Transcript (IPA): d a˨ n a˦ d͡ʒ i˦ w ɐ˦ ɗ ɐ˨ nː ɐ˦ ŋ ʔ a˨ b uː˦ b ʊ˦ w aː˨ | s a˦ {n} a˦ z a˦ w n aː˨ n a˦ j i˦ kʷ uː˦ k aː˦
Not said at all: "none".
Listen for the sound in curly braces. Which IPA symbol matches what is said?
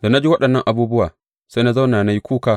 n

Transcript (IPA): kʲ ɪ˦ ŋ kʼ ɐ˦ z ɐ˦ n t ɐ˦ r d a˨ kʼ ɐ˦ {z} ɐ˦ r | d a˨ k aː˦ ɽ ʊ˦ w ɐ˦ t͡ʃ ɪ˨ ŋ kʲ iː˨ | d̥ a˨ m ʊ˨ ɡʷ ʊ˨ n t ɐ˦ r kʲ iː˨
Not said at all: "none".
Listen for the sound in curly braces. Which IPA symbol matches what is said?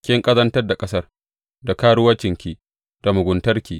s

